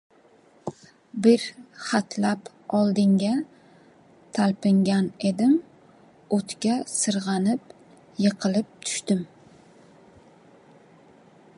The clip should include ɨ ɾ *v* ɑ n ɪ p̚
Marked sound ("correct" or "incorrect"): incorrect